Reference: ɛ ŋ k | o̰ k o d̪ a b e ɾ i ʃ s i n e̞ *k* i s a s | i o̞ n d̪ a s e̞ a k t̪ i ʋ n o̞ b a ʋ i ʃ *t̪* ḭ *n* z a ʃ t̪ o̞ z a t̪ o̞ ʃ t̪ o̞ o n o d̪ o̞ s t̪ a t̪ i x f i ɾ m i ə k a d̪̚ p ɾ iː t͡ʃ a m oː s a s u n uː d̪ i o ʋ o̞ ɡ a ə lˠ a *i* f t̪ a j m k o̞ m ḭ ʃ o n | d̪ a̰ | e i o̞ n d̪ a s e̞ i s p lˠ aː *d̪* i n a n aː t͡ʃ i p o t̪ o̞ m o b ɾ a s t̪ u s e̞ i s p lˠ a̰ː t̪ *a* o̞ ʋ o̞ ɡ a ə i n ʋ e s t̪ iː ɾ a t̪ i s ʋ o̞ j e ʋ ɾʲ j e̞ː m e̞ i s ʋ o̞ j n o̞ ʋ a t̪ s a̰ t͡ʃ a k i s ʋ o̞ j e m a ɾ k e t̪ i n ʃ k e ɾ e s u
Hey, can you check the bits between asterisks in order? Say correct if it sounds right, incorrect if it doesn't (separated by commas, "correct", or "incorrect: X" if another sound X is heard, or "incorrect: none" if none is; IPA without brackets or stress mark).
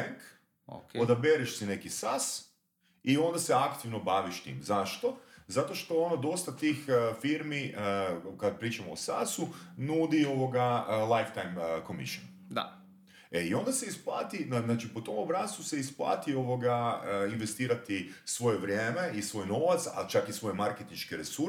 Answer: correct, correct, incorrect: m, incorrect: j, incorrect: t̪, incorrect: i